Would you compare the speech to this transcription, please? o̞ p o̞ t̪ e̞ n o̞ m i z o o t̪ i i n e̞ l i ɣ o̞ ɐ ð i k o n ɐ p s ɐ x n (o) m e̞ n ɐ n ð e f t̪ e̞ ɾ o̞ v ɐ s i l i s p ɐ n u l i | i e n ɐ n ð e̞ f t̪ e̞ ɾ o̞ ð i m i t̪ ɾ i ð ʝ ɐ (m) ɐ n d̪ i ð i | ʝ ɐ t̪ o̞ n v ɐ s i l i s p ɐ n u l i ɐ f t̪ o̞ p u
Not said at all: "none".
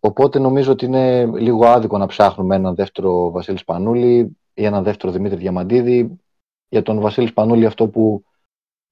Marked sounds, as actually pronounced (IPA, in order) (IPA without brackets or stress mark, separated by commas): u, m